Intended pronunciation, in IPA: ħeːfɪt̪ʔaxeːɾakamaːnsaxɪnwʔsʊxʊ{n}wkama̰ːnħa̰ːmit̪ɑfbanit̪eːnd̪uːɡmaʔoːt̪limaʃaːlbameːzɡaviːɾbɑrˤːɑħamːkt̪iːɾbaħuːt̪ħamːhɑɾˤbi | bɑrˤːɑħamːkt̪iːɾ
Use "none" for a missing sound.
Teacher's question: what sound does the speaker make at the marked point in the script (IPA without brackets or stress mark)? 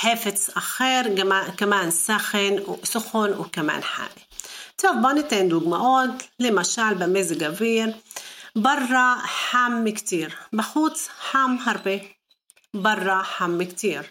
n